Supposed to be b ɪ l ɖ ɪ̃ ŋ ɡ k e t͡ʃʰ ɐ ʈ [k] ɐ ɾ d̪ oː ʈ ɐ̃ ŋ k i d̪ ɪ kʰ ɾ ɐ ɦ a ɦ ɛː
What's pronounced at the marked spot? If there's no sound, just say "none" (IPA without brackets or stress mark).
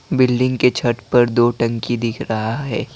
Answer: p